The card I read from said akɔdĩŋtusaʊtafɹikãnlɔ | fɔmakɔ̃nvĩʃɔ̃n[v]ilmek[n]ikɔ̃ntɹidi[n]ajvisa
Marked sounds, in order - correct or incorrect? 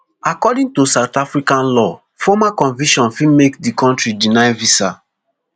incorrect, incorrect, correct

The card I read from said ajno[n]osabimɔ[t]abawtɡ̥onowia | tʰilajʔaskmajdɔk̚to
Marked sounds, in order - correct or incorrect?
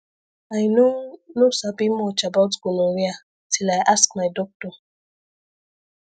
correct, incorrect

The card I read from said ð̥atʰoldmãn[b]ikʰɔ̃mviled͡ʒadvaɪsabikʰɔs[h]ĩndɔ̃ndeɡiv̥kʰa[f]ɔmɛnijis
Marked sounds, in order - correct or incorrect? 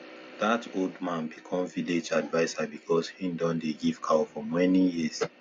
correct, correct, correct

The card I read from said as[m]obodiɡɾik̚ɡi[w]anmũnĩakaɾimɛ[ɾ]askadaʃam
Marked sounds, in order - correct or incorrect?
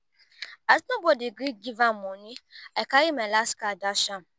incorrect, incorrect, incorrect

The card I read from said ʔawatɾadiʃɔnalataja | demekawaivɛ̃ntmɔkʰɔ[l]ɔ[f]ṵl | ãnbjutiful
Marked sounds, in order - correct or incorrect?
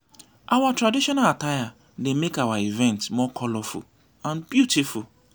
correct, correct

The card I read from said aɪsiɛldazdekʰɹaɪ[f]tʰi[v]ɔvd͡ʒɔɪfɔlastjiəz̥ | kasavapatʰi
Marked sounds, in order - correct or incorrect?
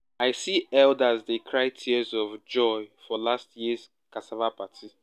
incorrect, incorrect

